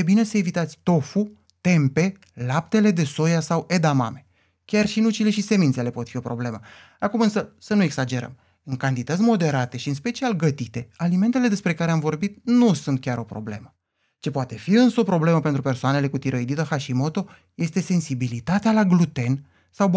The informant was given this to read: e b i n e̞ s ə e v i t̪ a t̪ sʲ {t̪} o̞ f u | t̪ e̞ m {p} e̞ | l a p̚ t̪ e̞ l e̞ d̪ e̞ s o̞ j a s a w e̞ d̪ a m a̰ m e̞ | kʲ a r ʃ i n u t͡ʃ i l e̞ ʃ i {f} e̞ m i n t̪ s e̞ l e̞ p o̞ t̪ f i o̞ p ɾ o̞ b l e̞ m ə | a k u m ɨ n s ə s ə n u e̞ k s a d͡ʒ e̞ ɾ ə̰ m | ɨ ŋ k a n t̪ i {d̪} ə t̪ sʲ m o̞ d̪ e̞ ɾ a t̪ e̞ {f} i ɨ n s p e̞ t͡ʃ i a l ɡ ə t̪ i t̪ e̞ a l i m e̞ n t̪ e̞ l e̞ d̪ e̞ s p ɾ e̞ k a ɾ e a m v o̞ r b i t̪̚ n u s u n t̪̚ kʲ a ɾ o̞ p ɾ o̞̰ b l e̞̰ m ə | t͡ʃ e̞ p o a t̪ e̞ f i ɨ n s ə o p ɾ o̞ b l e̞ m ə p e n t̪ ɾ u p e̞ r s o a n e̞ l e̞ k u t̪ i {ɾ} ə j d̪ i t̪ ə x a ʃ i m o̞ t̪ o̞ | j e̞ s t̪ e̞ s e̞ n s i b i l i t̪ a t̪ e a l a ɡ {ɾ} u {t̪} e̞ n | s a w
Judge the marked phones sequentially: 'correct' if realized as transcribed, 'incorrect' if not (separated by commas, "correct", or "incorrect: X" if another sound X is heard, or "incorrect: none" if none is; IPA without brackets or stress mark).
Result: correct, correct, incorrect: s, incorrect: t̪, incorrect: ʃ, correct, incorrect: l, correct